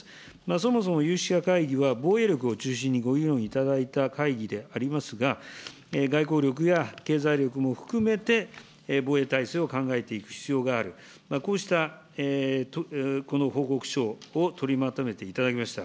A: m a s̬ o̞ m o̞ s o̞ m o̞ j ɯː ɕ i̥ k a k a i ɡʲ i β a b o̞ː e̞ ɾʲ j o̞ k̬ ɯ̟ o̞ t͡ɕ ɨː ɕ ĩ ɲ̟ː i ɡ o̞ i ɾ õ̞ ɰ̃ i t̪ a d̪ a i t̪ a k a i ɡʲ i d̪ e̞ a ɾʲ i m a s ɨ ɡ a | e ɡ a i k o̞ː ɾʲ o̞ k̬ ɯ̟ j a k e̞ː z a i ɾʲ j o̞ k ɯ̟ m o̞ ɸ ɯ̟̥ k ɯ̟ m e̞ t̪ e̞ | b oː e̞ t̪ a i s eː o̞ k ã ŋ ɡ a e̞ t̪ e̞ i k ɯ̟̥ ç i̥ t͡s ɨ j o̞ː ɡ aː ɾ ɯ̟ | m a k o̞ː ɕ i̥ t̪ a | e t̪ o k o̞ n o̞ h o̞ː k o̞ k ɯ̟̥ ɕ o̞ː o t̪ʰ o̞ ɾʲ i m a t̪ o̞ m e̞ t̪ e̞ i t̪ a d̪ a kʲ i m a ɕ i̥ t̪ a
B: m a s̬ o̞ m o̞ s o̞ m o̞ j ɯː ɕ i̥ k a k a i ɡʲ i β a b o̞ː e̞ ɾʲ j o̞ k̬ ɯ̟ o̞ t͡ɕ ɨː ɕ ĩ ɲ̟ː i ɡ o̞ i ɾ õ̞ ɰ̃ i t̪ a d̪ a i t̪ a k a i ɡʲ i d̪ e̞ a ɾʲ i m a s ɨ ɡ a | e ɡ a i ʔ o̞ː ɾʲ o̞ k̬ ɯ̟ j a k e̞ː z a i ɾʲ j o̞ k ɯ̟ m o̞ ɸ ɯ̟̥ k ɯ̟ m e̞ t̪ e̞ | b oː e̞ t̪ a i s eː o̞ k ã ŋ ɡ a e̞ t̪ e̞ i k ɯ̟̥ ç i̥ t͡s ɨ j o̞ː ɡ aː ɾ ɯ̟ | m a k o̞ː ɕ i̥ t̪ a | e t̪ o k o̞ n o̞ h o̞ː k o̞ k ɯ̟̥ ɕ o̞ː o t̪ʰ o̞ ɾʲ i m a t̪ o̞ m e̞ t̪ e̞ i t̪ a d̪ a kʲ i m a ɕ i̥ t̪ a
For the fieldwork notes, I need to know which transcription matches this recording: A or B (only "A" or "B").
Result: A